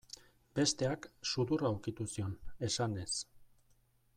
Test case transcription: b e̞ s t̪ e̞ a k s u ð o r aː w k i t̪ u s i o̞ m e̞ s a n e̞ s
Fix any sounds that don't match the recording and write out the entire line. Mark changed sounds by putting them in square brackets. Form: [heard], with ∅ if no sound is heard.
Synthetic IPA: b e̞ s t̪ e̞ a k s u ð [u] r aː w k i t̪ u s i o̞ [n] e̞ s a n e̞ s

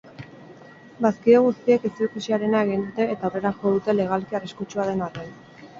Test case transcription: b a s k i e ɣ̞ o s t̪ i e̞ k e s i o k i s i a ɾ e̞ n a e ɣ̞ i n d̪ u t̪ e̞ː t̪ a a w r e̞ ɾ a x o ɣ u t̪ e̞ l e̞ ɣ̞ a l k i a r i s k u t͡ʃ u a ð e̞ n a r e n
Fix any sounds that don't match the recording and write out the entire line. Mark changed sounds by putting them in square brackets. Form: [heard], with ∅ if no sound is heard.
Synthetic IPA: b a s k i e ɣ̞ [u] s t̪ i e̞ k e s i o k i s i a ɾ e̞ n a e ɣ̞ i n d̪ u t̪ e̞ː t̪ a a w r e̞ ɾ a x o [ð] u t̪ e̞ l e̞ ɣ̞ a l k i a r i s k u t͡ʃ u a ð e̞ n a r e n

